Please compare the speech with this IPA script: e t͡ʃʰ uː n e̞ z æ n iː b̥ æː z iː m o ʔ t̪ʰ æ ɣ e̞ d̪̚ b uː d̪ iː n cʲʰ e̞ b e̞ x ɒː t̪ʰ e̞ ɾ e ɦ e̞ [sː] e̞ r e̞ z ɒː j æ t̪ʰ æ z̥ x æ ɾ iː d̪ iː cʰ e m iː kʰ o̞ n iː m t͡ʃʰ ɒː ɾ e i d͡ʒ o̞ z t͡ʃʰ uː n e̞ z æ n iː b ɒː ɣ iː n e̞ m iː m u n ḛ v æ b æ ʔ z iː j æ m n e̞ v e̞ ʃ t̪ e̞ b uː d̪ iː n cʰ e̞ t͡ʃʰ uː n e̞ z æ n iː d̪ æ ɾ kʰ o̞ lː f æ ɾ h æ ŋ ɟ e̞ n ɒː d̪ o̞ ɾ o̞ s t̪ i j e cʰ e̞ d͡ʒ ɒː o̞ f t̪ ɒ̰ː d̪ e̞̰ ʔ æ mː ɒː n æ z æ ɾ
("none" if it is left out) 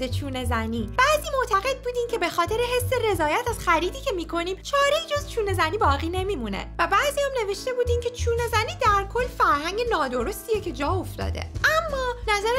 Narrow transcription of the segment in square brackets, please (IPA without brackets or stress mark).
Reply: sː